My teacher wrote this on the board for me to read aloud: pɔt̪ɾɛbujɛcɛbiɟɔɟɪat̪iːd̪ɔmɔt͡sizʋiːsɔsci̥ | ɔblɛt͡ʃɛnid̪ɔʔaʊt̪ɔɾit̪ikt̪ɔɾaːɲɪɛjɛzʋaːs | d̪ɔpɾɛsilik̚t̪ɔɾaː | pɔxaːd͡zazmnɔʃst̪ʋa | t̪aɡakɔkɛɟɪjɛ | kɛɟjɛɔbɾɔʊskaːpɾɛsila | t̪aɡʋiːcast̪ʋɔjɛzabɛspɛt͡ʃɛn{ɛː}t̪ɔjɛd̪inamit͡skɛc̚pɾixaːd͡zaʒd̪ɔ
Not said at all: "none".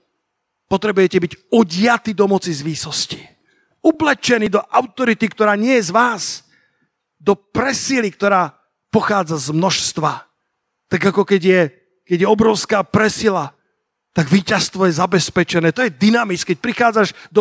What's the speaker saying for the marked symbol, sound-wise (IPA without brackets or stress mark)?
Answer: ɛː